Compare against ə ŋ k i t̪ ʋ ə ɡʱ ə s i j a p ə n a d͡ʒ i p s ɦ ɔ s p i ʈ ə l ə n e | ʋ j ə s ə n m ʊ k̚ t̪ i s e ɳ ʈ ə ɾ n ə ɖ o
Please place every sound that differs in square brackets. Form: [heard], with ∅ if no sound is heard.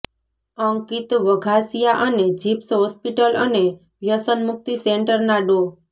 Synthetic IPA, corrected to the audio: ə ŋ k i t̪ ʋ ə ɡʱ [a] s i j a [ʔ] ə n [e] d͡ʒ i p s ɦ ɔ s p i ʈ ə l ə n e | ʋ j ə s ə n m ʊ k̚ t̪ i s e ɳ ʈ ə ɾ n [a] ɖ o